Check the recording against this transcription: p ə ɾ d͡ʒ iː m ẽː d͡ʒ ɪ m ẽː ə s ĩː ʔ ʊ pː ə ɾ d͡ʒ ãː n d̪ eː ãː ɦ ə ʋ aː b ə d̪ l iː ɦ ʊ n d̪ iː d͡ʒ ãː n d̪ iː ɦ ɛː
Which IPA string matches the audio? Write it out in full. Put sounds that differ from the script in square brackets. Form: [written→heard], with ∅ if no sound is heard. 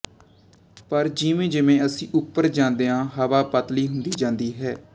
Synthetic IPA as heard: p ə ɾ d͡ʒ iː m ẽː d͡ʒ ɪ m ẽː ə s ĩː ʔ ʊ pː ə ɾ d͡ʒ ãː n d̪ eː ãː ɦ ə ʋ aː [b→p] ə [d̪→t̪] l iː ɦ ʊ n d̪ iː d͡ʒ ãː n d̪ iː ɦ ɛː